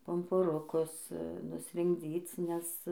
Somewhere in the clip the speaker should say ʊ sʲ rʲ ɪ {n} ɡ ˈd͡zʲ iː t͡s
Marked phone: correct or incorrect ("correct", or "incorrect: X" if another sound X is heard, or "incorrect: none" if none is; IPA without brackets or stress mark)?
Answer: incorrect: ŋ